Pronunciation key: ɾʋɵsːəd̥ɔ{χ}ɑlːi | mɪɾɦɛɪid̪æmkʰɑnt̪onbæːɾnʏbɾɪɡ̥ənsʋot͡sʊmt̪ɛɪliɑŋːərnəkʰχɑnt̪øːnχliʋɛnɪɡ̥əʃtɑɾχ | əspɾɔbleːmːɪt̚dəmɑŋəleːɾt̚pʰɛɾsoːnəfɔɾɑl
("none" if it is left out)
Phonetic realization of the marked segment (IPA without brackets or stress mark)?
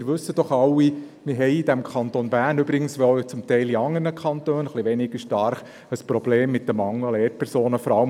χ